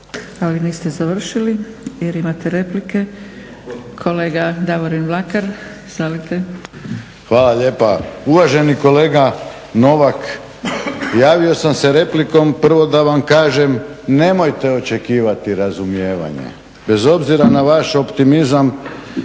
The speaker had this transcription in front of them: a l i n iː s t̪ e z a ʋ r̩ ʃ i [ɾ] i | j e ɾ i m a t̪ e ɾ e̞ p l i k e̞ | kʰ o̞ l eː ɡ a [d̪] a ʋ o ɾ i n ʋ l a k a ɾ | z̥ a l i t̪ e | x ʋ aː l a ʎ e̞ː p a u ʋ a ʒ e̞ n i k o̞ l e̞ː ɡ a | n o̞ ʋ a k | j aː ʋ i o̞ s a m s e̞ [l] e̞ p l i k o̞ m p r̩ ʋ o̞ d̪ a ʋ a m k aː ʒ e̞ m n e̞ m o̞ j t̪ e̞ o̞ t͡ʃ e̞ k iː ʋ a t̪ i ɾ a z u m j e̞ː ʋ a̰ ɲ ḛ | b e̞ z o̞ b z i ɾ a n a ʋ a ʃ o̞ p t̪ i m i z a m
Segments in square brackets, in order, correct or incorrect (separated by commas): incorrect, correct, incorrect